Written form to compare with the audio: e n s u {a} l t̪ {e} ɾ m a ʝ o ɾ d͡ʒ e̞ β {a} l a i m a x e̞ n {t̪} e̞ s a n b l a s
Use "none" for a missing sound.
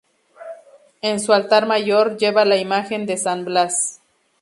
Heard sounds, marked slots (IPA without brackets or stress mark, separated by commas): a, a, a, d̪